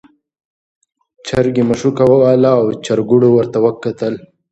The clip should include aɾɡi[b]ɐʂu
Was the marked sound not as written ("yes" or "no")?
yes